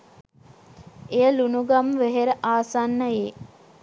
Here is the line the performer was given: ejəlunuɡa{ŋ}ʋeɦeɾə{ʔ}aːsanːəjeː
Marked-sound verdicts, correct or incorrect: incorrect: m, correct

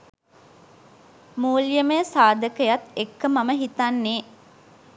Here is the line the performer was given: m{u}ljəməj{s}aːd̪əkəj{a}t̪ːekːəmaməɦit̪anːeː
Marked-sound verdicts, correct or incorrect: incorrect: uː, correct, correct

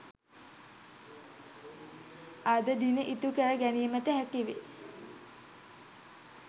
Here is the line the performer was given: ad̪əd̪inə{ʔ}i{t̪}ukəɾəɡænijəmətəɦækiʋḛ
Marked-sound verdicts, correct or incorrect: correct, correct

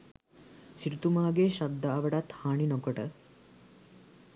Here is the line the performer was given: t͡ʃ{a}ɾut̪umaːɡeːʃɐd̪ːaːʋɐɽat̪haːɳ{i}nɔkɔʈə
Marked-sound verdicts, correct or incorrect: incorrect: i, correct

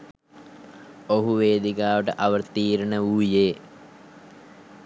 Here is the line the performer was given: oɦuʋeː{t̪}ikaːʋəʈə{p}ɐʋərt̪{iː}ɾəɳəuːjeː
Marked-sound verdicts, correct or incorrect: incorrect: d̪, incorrect: ʔ, correct

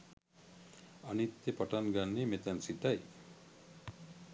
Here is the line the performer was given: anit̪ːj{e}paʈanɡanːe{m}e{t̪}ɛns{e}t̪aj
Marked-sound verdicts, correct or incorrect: correct, correct, correct, incorrect: i

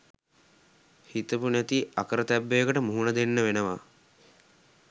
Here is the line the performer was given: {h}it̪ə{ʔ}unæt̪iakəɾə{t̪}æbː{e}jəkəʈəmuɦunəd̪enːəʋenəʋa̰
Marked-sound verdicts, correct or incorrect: correct, incorrect: p, correct, correct

